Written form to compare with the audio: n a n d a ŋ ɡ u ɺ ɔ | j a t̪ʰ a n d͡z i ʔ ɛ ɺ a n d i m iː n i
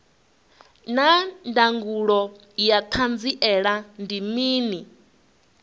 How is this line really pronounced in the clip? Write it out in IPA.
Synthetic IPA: n a n d a ŋ ɡ u ɺ ɔ | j a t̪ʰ a n d͡z i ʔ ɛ ɺ a n d i m iː n i